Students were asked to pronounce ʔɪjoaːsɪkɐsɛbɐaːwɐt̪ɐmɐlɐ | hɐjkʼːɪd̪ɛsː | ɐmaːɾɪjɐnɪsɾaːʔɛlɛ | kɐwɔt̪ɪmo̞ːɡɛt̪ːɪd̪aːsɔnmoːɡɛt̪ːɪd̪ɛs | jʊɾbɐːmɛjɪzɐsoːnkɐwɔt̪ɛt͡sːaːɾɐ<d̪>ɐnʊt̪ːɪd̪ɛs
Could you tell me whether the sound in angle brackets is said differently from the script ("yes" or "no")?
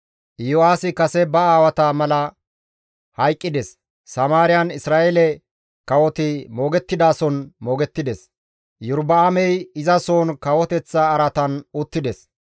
yes